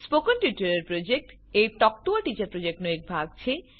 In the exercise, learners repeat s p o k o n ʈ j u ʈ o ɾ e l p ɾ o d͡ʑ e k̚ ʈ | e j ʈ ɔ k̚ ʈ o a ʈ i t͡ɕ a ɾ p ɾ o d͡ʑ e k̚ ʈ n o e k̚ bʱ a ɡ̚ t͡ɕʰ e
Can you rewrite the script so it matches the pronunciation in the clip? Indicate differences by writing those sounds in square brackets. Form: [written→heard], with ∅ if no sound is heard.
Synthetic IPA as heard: s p o k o n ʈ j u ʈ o ɾ e [l→ɾ] p ɾ o d͡ʑ e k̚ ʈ | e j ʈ ɔ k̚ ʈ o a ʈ i t͡ɕ a ɾ p ɾ o d͡ʑ e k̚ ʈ n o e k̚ bʱ a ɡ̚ t͡ɕʰ e